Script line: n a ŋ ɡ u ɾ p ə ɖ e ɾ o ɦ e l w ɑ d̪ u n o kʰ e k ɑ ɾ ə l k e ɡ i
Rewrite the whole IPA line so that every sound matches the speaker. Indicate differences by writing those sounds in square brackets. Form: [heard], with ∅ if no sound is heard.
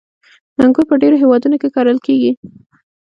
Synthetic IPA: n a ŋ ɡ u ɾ p ə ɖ e ɾ o ɦ e [∅] w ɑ d̪ u n o [k] e k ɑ ɾ ə l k e ɡ i